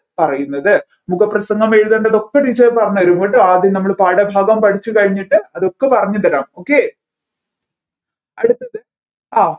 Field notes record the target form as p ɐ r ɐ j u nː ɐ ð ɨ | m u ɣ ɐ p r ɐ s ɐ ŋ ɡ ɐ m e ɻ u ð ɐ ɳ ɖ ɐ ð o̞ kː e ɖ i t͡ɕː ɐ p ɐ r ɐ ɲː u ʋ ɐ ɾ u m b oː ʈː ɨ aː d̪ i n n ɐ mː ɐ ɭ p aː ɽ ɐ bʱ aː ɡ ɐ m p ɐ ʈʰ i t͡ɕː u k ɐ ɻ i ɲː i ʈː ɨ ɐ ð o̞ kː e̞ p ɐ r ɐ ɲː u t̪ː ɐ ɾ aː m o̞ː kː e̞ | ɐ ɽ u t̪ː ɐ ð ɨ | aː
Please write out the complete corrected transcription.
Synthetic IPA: p ɐ r ɐ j u nː ɐ ð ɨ | m u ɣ ɐ p r ɐ s ɐ ŋ ɡ ɐ m e ɻ u ð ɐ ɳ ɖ ɐ ð o̞ kː e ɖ i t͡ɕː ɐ p ɐ r ɐ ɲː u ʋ ɐ ɾ u m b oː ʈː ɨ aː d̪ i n n ɐ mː ɐ ɭ p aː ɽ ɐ bʱ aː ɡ ɐ m p ɐ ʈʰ i t͡ɕː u k ɐ ɻ i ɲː i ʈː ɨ ɐ ð o̞ kː e̞ p ɐ r ɐ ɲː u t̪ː ɐ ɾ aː m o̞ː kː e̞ | ɐ ɽ u t̪ː ɐ ð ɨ | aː